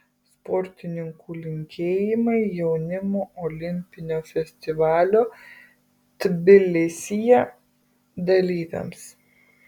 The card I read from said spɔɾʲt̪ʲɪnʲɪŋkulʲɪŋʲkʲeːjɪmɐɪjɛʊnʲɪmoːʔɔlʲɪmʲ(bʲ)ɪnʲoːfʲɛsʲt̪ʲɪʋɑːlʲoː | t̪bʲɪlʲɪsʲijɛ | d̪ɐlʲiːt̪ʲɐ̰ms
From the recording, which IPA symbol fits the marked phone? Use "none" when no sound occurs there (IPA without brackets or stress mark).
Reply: pʲ